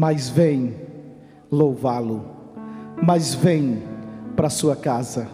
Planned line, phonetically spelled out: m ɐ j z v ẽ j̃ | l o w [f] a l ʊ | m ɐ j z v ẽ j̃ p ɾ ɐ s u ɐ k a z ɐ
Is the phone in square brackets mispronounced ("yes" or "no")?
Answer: yes